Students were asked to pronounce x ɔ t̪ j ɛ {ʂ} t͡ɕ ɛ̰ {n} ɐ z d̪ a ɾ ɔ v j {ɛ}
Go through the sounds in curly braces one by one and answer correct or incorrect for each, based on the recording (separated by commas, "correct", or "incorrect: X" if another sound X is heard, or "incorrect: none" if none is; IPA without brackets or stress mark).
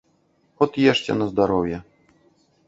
correct, correct, correct